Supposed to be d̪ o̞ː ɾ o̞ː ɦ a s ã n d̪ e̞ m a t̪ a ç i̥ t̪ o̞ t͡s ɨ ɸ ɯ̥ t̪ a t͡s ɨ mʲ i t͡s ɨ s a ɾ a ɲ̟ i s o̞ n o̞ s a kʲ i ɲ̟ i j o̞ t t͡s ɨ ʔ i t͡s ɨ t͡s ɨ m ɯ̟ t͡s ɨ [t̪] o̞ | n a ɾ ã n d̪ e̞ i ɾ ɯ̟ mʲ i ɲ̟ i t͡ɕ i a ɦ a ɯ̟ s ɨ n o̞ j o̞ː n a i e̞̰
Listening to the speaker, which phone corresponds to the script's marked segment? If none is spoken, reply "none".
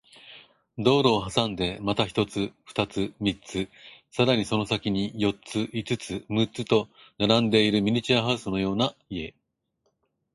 t̪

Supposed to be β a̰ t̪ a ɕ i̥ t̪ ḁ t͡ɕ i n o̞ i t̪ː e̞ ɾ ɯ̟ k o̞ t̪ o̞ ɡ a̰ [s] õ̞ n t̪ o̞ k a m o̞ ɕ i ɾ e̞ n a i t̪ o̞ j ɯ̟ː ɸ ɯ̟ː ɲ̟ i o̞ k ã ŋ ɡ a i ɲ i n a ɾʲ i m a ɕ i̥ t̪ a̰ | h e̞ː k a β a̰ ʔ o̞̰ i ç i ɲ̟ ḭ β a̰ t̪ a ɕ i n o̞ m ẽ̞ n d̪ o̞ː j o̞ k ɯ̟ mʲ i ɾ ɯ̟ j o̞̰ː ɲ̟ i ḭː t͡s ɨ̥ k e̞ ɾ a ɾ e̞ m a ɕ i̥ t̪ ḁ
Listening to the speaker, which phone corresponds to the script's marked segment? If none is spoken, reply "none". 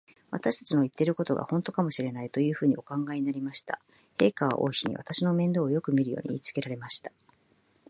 h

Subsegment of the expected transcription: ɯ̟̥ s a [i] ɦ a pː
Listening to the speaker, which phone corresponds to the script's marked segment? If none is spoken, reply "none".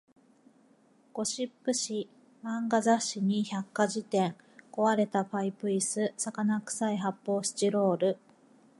i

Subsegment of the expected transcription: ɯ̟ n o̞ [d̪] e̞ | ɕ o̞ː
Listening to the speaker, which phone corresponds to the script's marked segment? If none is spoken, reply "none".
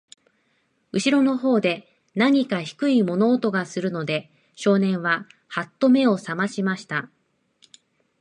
d̪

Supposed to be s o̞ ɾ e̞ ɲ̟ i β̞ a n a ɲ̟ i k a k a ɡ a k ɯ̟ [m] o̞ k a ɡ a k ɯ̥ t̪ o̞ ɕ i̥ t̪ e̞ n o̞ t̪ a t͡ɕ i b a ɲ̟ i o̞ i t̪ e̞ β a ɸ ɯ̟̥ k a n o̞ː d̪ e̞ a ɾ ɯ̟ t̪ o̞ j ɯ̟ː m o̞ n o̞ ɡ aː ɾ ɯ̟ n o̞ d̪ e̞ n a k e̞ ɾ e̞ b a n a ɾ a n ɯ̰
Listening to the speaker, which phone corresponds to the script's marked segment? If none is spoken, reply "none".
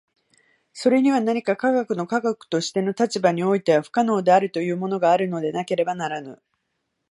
n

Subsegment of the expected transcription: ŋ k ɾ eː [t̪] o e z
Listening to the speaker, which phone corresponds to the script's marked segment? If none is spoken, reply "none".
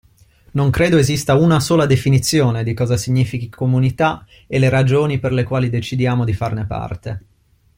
d̪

